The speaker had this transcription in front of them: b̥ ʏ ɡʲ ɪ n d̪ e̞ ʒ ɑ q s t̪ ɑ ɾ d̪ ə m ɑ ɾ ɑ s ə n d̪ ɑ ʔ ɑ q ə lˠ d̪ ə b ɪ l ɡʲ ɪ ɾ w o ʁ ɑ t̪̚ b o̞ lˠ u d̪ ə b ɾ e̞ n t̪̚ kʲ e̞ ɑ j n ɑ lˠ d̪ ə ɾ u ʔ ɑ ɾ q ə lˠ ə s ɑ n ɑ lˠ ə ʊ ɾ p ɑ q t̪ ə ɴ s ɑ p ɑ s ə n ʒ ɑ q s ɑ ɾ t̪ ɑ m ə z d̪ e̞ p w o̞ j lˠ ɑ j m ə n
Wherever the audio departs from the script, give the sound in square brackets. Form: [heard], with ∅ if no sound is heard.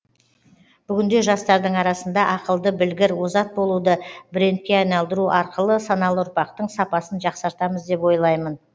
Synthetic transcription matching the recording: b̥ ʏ ɡʲ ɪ n d̪ e̞ ʒ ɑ [∅] s t̪ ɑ ɾ d̪ ə [ɴ] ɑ ɾ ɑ s ə n d̪ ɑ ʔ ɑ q ə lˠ d̪ ə b ɪ l ɡʲ ɪ ɾ w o [z] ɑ t̪̚ b o̞ lˠ u d̪ ə b ɾ e̞ n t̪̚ kʲ e̞ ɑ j n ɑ lˠ d̪ ə ɾ u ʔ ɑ ɾ q ə lˠ ə s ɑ n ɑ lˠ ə ʊ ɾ p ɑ q t̪ ə ɴ s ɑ p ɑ s ə n ʒ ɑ q s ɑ ɾ t̪ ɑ m ə z d̪ e̞ p w o̞ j lˠ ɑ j m ə n